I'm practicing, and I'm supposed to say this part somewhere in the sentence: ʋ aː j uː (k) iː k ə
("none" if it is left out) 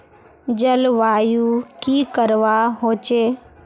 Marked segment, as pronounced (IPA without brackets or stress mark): k